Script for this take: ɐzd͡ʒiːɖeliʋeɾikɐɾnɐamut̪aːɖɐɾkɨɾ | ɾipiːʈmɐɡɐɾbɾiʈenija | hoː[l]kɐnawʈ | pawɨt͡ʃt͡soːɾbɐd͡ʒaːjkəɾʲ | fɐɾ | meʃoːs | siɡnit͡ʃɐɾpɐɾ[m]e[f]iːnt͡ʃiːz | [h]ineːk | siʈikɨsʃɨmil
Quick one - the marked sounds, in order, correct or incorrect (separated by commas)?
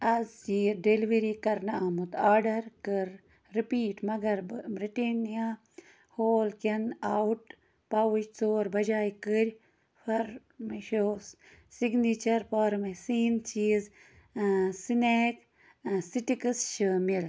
correct, correct, incorrect, incorrect